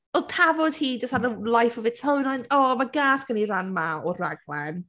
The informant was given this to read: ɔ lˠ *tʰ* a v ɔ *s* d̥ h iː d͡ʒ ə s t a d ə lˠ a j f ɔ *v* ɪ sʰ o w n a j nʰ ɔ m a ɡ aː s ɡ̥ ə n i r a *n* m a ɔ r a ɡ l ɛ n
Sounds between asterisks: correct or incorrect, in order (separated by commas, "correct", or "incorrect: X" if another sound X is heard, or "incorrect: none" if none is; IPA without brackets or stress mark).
correct, incorrect: none, correct, correct